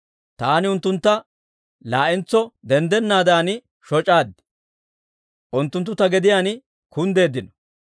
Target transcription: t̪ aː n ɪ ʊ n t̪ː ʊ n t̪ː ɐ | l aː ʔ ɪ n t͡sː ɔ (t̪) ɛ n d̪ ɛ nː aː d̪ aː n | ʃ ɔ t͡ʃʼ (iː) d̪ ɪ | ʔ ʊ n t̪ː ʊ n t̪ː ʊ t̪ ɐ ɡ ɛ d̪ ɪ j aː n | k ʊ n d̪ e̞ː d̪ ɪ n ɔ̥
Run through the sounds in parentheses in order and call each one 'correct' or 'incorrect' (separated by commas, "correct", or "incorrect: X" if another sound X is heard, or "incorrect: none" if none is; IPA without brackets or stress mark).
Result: incorrect: d̪, incorrect: aː